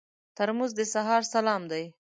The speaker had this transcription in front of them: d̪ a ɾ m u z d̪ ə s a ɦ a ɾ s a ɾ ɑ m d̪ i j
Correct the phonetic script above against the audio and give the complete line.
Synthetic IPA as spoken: t̪ a ɾ m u z d̪ ə s a ɦ ɑ ɾ s a l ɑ m d̪ a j